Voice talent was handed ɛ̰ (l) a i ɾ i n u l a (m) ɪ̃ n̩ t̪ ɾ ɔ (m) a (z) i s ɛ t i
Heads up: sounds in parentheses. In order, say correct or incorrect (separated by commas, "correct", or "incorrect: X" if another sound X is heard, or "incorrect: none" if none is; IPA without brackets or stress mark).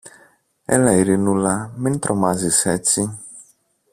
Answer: correct, correct, correct, correct